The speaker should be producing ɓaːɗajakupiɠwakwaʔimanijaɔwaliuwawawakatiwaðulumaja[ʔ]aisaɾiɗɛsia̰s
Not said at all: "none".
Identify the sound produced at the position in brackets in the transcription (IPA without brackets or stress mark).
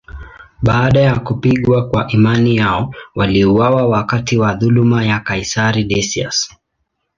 k